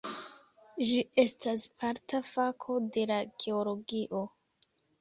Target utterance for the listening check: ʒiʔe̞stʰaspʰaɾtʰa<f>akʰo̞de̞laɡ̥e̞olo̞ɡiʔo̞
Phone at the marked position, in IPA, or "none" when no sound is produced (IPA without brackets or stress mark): f